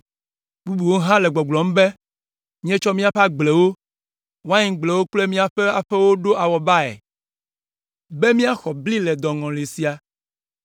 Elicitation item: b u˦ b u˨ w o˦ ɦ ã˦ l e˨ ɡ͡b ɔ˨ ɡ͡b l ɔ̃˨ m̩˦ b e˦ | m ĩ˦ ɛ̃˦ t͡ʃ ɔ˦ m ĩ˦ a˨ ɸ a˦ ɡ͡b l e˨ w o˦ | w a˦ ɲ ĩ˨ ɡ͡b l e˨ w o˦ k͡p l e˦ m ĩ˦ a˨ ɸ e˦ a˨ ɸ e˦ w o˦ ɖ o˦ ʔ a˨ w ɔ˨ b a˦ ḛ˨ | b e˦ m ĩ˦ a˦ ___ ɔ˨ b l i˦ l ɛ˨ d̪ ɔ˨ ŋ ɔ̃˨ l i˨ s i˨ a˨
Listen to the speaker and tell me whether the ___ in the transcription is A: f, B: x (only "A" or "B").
B